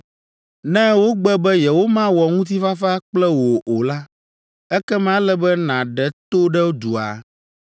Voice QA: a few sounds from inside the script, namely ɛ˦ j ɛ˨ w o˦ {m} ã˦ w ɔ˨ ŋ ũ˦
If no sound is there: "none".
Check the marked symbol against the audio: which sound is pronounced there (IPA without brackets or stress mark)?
m